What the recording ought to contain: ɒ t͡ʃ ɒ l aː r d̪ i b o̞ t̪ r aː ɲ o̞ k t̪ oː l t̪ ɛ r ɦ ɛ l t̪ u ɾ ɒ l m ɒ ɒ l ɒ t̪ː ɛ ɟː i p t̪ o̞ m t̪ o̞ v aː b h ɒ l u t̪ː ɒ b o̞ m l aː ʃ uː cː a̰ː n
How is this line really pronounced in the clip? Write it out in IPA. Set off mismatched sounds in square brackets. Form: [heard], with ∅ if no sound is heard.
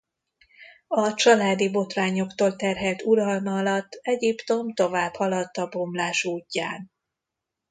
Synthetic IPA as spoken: ɒ t͡ʃ ɒ l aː [∅] d̪ i b o̞ t̪ r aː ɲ o̞ k t̪ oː l t̪ ɛ r ɦ ɛ l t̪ u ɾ ɒ l m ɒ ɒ l ɒ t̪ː ɛ [ɟ] i p t̪ o̞ m t̪ o̞ v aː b h ɒ l [ɒ] t̪ː ɒ b o̞ m l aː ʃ uː cː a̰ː n